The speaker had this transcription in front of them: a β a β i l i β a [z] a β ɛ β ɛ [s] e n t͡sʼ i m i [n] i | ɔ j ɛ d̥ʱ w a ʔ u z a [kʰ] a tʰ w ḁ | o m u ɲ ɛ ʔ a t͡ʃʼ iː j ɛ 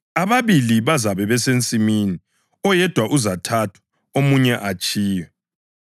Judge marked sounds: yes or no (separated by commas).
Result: yes, yes, yes, no